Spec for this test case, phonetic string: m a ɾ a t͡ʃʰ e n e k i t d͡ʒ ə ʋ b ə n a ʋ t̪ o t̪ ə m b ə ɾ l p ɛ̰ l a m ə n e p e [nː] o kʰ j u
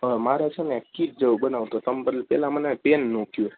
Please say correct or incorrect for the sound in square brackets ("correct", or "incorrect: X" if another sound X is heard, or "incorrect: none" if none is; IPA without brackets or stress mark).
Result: correct